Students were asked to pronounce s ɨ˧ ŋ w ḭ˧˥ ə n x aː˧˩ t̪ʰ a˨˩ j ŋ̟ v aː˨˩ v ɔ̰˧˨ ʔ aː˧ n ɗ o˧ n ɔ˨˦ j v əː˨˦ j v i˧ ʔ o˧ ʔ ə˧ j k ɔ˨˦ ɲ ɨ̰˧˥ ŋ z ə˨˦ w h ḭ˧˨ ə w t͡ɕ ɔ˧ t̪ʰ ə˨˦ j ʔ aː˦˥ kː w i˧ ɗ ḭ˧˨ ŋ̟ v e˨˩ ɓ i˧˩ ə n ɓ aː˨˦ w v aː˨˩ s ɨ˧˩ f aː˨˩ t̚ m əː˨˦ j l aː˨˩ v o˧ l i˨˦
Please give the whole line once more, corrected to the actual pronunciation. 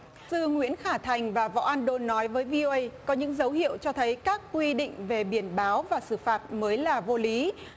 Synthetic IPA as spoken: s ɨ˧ ŋ w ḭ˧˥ ə n x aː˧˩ t̪ʰ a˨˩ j ŋ̟ v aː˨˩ v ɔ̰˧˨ ʔ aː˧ n ɗ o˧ nː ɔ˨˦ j v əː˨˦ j v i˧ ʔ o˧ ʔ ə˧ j k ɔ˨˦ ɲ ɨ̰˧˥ ŋ z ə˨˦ w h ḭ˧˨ ə w t͡ɕ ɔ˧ t̪ʰ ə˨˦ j k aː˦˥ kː w i˧ ɗ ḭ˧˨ ŋ̟ v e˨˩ ɓ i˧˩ ə n ɓ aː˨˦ w v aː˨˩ s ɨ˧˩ f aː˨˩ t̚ m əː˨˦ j l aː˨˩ v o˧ l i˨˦